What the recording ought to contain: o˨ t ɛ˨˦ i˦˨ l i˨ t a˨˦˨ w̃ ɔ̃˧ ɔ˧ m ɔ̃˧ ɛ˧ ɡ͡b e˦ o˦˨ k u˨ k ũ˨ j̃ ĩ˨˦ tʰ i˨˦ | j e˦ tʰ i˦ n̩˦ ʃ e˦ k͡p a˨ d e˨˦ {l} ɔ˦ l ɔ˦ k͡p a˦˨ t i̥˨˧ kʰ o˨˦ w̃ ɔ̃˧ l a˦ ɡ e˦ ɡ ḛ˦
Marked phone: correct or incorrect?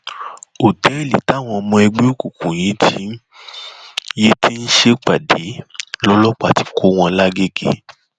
correct